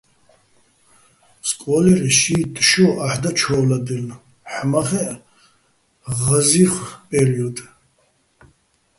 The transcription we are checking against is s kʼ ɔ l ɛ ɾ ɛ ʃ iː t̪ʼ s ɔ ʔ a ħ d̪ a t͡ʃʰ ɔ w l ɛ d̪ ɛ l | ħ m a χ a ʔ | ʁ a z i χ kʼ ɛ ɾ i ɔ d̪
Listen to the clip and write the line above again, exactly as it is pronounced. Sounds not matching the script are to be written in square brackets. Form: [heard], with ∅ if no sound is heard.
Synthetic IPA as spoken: s kʼ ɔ l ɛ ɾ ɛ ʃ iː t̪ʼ [ʃ] ɔ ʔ a ħ d̪ a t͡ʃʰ ɔ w l [a] d̪ ɛ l | ħ m a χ [ɛ] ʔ | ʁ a z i χ [pʼ] ɛ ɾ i ɔ d̪